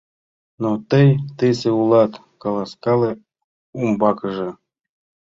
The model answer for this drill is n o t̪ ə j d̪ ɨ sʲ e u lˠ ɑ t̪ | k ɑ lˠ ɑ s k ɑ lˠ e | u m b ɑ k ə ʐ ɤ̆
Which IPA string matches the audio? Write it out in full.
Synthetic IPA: n o t̪ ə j t̪ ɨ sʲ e u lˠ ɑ t̪ | k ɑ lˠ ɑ s k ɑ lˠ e | u m b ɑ k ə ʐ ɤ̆